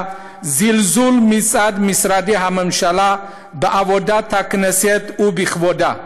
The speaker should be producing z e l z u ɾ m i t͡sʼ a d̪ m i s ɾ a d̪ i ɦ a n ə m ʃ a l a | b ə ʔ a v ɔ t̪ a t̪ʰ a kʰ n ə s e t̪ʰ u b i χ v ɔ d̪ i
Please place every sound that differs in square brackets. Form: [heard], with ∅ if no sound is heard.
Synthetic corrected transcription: z [i] l z u [l] m i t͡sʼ a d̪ m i s ɾ a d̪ i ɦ a [m] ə m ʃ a l a | b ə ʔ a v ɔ [d̪] a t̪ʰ a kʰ n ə s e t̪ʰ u b i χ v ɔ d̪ [a]